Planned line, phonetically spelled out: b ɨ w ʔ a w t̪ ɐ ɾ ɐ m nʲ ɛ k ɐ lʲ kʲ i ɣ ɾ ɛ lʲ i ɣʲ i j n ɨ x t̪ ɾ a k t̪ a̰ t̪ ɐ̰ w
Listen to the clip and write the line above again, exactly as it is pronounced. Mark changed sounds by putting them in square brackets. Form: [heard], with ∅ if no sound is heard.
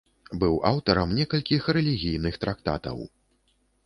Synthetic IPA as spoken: b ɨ w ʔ a w t̪ ɐ ɾ ɐ m nʲ ɛ k ɐ lʲ kʲ i [x] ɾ ɛ lʲ i ɣʲ i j n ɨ x t̪ ɾ a k t̪ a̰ t̪ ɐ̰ w